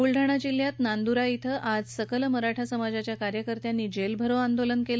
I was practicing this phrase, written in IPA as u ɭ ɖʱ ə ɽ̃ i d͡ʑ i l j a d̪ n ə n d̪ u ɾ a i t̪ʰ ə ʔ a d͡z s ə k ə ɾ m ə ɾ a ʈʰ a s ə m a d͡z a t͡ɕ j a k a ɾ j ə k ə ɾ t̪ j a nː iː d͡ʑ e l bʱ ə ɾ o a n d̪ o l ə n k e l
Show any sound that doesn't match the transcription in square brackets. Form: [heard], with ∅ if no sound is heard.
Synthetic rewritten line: u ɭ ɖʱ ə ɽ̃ [a] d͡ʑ i l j a [t̪] n [a] n d̪ u ɾ a i t̪ʰ ə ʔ a d͡z s ə k ə [l] m ə ɾ a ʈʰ a s ə m a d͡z a t͡ɕ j a k a ɾ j ə k ə ɾ t̪ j a nː iː d͡ʑ e l bʱ ə ɾ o a n d̪ o l ə n k e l